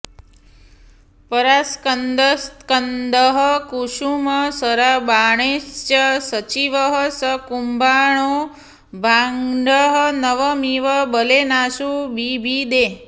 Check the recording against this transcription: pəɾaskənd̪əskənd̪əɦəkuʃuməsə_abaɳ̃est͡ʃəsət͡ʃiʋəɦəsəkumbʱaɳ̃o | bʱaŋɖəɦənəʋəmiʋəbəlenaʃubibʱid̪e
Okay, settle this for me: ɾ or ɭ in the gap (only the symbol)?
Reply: ɾ